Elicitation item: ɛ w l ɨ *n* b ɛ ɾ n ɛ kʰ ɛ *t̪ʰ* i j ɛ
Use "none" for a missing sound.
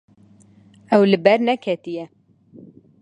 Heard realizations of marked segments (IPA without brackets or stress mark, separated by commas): none, t̪